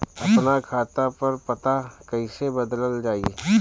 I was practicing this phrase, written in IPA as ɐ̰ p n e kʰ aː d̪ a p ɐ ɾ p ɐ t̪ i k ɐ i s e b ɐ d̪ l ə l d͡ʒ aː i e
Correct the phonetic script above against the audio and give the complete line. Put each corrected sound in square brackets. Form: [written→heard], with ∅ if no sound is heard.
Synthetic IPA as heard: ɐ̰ p n [e→a] kʰ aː [d̪→t̪] a p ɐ ɾ p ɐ t̪ [i→a] k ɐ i s e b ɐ d̪ l ə l d͡ʒ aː i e